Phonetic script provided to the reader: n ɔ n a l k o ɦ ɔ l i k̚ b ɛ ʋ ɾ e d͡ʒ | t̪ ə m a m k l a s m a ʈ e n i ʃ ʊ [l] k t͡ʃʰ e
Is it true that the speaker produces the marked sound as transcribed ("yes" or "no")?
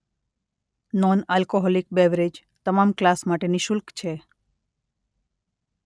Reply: yes